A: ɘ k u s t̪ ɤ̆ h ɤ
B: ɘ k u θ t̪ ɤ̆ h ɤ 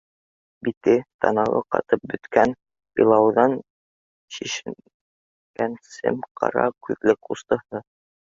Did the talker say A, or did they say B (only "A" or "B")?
A